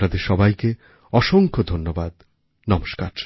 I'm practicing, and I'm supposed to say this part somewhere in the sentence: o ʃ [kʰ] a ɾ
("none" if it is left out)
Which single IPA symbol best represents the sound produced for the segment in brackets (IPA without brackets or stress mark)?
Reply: k